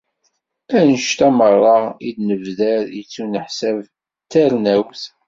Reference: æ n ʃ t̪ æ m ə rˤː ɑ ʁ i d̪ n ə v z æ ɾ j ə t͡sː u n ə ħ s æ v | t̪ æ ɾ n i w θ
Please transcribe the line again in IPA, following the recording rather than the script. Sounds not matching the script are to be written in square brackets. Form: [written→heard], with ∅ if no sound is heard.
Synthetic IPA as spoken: æ n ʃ t̪ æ m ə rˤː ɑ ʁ i d̪ n ə v [z→ð] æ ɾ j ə t͡sː u n ə ħ s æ v | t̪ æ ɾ n [i→æ] w θ